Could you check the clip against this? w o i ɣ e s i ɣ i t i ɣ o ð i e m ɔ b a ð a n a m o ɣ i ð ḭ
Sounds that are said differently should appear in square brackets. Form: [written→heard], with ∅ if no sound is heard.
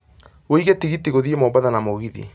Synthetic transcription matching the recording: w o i ɣ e [s→t] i ɣ i t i ɣ o ð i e m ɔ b a ð a n a m o ɣ i ð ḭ